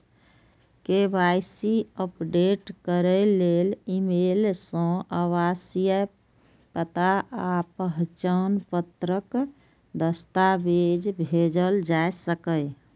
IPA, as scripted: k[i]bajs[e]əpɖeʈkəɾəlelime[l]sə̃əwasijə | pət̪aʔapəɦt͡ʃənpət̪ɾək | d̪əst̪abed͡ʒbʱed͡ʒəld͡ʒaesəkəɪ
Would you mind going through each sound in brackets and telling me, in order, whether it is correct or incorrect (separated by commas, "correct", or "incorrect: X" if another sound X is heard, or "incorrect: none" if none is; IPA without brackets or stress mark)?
incorrect: e, incorrect: i, correct